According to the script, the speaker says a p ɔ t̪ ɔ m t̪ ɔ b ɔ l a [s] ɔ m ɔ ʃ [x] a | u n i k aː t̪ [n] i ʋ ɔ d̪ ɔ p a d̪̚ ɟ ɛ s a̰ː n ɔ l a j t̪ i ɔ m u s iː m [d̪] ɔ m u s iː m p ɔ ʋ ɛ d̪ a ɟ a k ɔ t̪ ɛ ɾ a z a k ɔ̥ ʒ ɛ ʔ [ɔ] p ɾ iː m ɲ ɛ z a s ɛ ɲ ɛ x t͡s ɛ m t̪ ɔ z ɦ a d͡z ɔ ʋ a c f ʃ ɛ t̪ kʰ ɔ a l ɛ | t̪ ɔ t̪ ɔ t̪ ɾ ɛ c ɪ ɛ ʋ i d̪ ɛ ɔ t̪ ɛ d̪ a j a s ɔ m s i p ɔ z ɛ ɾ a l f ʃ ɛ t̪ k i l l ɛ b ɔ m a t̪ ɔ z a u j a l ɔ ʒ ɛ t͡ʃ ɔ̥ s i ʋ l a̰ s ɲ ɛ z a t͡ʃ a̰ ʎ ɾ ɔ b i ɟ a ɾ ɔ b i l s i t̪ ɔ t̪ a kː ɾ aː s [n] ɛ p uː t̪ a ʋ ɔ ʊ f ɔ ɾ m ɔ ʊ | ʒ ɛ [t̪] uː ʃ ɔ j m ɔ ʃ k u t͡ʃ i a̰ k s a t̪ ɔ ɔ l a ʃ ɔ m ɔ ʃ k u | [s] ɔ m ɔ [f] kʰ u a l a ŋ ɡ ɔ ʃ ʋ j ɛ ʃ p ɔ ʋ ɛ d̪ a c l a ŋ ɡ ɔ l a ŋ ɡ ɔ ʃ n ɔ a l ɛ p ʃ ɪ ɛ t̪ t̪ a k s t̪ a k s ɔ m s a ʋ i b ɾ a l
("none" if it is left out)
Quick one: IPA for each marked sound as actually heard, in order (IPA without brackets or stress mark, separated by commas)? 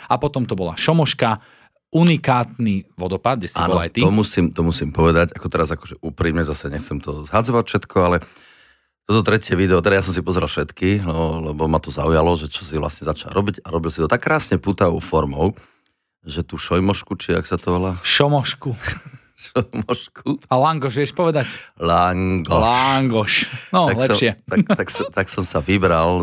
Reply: ʃ, k, n, t̪, u, ɲ, t̪, ʃ, ʃ